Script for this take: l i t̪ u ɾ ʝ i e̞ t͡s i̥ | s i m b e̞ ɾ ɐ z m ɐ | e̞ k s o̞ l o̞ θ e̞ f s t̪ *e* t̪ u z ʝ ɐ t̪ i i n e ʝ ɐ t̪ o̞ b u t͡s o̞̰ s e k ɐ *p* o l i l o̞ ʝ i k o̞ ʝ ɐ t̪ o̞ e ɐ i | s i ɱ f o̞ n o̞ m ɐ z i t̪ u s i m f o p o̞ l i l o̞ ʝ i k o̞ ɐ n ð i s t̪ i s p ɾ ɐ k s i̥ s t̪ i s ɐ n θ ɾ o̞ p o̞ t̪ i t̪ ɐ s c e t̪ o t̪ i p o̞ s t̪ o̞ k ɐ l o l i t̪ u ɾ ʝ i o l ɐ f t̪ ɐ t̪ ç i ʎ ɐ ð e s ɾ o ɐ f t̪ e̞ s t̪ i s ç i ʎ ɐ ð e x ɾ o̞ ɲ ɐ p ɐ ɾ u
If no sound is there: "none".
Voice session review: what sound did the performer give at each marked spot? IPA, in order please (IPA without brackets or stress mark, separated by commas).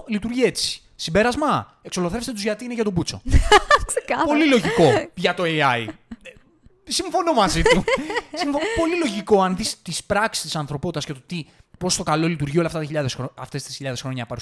e, p